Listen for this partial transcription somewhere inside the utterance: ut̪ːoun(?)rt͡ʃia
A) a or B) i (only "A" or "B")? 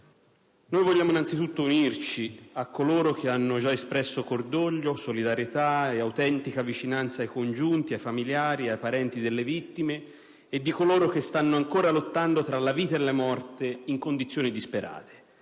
B